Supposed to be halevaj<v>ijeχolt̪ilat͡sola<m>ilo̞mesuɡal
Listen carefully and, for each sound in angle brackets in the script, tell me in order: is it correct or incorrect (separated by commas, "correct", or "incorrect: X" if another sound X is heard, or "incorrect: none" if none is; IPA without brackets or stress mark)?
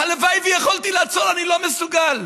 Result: correct, incorrect: n